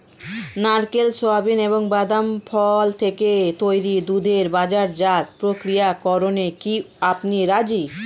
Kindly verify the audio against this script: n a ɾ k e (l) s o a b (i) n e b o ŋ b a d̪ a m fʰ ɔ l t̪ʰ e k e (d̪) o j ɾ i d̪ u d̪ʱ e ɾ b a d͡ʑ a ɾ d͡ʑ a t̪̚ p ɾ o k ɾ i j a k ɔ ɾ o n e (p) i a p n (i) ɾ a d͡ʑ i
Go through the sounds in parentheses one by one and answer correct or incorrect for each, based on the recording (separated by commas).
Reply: correct, correct, incorrect, incorrect, correct